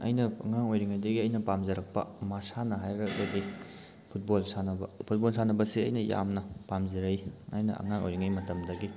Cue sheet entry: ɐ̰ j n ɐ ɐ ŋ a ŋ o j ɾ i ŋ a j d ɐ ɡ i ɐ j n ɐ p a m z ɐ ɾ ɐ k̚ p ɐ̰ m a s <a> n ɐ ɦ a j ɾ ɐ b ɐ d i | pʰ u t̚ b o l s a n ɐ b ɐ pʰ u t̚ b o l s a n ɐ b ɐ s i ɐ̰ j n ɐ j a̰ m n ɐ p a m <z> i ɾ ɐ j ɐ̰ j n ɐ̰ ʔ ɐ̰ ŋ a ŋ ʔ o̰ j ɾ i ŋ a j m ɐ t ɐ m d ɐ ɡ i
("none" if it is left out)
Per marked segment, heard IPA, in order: a, z

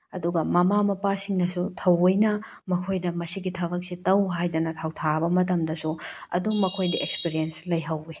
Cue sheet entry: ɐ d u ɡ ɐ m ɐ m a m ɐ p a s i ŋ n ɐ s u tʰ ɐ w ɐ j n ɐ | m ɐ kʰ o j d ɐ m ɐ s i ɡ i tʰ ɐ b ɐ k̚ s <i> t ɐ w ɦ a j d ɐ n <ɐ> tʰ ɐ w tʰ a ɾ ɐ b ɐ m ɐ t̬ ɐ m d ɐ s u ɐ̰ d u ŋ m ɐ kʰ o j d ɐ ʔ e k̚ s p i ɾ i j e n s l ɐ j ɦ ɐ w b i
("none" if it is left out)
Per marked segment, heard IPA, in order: i, ɐ

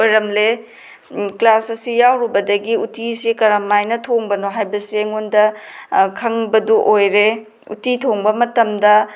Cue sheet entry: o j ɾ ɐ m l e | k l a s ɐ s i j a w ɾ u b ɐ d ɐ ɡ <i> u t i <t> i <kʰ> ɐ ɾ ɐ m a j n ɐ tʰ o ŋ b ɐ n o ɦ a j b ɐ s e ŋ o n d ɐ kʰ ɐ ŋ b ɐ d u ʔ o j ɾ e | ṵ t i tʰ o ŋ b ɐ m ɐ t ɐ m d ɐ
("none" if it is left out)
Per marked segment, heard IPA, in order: i, s, k

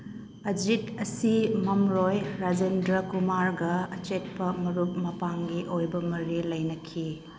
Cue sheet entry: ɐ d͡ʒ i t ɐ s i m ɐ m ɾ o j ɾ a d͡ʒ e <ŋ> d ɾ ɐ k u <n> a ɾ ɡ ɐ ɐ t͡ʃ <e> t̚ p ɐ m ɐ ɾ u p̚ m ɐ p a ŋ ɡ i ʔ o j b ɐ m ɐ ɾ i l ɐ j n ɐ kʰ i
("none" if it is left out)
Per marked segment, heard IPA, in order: n, m, e

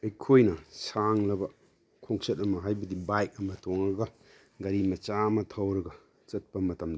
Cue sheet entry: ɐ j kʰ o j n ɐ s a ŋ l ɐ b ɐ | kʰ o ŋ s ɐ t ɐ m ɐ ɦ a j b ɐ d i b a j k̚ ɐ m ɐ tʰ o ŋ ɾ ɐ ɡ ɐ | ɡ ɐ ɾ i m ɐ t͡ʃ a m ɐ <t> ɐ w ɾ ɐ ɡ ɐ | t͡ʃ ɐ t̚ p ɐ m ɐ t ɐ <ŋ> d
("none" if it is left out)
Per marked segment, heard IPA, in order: tʰ, m

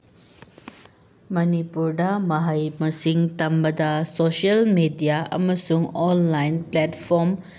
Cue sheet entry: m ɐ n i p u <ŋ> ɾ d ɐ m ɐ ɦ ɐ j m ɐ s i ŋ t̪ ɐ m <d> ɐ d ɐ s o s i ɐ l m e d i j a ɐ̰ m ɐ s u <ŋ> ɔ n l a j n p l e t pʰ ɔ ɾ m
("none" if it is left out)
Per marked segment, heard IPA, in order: none, b, ŋ

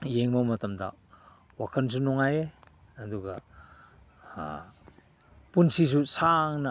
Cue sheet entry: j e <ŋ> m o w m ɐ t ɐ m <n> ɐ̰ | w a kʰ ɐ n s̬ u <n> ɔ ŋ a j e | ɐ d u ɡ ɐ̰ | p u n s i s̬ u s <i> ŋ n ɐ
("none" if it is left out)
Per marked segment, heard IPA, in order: ŋ, d, n, a

